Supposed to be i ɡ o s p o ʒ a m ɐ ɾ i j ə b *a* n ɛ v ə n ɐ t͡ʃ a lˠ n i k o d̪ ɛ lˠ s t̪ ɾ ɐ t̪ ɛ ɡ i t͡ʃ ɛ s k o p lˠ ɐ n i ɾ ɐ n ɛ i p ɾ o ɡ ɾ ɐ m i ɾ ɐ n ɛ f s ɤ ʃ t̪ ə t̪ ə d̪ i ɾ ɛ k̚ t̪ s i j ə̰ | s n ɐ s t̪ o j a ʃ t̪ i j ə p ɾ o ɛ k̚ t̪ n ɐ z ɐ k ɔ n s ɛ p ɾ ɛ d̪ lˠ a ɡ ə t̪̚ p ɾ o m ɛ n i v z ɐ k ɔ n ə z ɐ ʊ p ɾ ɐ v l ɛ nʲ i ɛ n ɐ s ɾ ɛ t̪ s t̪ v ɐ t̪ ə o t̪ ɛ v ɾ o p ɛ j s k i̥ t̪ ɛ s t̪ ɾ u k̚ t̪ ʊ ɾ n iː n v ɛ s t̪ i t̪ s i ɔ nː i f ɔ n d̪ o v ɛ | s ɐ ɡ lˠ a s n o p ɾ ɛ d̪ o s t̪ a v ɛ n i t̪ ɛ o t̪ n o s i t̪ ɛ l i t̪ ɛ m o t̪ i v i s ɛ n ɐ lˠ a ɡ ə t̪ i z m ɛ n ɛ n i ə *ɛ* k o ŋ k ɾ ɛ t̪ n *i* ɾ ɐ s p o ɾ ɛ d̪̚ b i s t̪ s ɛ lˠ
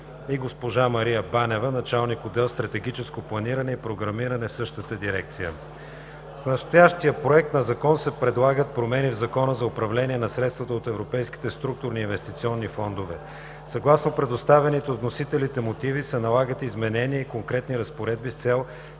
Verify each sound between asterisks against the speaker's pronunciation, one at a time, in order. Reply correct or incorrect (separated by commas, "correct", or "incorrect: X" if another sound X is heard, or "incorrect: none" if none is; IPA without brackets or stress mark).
correct, incorrect: i, correct